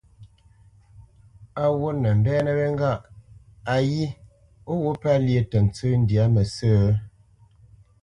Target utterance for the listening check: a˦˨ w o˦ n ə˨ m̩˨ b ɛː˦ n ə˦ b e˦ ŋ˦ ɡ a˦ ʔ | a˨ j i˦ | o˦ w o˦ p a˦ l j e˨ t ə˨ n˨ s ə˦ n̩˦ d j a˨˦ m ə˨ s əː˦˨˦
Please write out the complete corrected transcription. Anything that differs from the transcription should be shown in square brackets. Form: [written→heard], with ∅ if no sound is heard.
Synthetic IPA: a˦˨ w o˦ n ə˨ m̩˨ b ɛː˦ n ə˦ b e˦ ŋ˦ ɡ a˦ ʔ | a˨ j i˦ | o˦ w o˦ p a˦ l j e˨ t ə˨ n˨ [s→t͡s] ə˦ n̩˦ d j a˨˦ m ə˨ s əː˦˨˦